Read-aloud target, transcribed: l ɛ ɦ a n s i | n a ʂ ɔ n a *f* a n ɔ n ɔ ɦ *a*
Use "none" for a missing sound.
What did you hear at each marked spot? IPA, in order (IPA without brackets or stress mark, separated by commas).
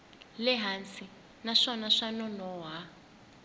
ʂ, a